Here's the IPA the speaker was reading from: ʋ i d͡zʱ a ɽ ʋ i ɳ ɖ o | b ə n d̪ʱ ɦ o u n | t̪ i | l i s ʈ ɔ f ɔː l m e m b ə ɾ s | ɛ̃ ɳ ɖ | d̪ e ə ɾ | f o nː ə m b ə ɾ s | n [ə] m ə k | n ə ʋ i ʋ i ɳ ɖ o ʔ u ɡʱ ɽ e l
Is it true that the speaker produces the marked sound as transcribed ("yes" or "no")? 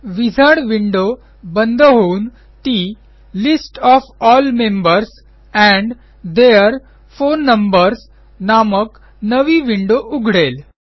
no